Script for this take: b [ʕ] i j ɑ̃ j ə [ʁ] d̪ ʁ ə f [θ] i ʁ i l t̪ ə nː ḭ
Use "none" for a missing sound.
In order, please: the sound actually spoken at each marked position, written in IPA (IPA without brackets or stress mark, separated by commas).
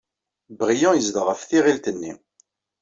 ʁ, z, θ